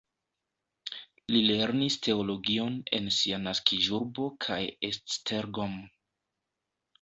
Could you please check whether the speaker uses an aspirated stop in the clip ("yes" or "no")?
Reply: yes